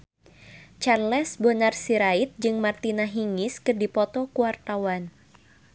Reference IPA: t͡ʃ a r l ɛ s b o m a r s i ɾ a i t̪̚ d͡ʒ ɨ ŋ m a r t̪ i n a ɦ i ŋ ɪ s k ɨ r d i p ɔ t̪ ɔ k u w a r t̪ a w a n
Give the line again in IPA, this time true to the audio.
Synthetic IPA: t͡ʃ a r l ɛ s b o n a r s i ɾ a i t̪̚ d͡ʒ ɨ ŋ m a r t̪ i n a ɦ i ŋ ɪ s k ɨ r d i p ɔ t̪ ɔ k u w a r t̪ a w a n